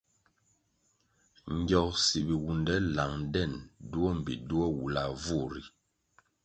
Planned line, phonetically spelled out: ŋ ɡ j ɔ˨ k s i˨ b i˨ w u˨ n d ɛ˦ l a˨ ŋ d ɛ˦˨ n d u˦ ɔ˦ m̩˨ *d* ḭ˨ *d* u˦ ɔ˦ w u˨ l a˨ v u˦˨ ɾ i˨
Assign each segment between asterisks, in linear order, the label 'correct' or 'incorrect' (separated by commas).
incorrect, correct